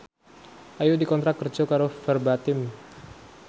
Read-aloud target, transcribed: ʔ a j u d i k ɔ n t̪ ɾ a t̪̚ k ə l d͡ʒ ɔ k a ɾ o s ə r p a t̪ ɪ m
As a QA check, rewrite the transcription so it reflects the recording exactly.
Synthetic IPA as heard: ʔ a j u d i k ɔ n t̪ ɾ a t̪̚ k ə r d͡ʒ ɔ k a ɾ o f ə r b a t̪ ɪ m

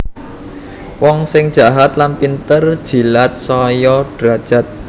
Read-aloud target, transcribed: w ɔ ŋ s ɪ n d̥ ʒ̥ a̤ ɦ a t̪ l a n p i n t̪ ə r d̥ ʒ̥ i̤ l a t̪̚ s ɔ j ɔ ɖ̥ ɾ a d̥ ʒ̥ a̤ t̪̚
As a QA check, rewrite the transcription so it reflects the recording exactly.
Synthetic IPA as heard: w ɔ ŋ s ɪ ŋ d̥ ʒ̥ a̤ ɦ a t̪ l a n p i n t̪ ə r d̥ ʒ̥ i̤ l a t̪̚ s ɔ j ɔ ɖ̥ ɾ a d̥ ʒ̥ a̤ t̪̚

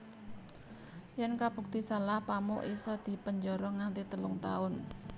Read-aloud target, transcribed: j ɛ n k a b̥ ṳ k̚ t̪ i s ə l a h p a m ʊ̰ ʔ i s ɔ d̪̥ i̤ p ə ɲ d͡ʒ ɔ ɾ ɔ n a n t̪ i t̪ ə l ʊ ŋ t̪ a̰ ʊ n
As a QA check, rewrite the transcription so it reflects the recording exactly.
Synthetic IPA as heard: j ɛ n k a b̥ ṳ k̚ t̪ i s a l a h p a m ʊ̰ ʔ i s ɔ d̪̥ i̤ p ə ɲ d͡ʒ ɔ ɾ ɔ ŋ a n t̪ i t̪ ə l ʊ ŋ t̪ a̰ ʊ n

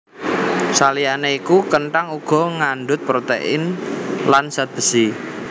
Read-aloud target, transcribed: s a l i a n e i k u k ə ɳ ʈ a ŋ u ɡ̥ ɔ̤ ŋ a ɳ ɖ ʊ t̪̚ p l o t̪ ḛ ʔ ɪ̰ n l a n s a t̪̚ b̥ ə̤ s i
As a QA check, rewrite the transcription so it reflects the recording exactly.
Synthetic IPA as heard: s a l i a n e i k u k ə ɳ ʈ a ŋ u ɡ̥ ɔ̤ ŋ a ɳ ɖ ʊ t̪̚ p ɾ o t̪ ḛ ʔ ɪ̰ n l a n s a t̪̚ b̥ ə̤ s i

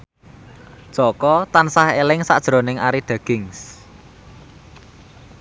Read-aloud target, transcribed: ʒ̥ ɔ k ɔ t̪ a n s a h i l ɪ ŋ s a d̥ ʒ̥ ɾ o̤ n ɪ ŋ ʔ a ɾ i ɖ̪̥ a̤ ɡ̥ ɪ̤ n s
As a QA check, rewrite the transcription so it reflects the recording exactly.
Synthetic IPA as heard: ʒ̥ ɔ k ɔ t̪ a n s a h e l ɪ ŋ s a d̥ ʒ̥ ɾ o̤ n ɪ ŋ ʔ a ɾ i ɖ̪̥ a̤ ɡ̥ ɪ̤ ŋ s

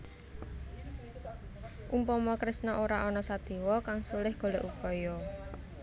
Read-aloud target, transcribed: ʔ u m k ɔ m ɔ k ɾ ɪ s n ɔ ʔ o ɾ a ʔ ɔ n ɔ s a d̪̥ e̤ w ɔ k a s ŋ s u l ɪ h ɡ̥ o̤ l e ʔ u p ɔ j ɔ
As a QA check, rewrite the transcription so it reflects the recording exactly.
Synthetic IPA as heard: ʔ u m p ɔ m ɔ k ɾ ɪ s n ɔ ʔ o ɾ a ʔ ɔ n ɔ s a d̪̥ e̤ w ɔ k a ŋ s u l ɪ h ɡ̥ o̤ l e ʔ u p ɔ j ɔ

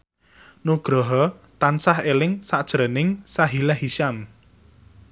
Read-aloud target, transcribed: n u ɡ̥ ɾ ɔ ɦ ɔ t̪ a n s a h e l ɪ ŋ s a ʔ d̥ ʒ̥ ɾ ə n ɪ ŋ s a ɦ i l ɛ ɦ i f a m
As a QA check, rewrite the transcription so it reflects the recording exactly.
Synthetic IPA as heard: n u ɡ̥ ɾ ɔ ɦ ɔ t̪ a n s a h e l ɪ ŋ s a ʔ d̥ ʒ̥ ɾ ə n ɪ ŋ s a ɦ i l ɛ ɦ i ʃ a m

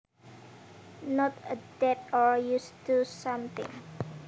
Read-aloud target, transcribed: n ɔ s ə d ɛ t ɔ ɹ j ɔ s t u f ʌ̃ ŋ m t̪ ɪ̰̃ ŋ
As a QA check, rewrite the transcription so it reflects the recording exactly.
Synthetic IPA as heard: n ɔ t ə d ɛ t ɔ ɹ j u s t u s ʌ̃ m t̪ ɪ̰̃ ŋ

